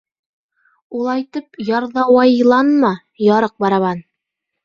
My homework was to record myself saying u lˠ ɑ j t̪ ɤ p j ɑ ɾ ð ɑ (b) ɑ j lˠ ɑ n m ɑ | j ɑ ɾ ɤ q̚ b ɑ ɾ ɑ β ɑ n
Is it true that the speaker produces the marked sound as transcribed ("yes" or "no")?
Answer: no